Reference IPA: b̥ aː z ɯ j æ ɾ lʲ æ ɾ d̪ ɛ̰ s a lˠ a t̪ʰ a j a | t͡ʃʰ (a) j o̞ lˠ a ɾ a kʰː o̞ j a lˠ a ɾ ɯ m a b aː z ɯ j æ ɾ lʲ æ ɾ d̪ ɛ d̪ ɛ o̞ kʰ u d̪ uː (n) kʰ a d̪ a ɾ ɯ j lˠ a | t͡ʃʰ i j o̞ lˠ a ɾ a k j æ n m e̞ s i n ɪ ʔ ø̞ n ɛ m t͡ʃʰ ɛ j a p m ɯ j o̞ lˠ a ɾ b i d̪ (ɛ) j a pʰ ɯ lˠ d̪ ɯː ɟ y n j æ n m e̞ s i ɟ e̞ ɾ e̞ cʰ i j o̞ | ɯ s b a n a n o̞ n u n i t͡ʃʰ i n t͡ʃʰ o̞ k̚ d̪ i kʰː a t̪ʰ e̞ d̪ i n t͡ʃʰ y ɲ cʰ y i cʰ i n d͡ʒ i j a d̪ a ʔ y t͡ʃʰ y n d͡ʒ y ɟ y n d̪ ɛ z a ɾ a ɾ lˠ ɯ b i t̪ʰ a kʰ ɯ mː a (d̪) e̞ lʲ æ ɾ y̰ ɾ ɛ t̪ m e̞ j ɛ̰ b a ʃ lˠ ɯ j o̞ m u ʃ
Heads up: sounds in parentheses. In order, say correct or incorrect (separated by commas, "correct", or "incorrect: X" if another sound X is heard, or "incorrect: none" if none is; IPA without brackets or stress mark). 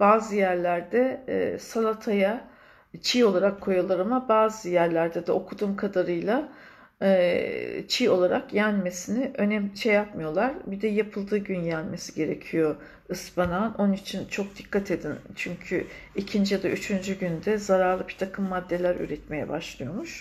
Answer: incorrect: i, incorrect: m, correct, incorrect: d̪ː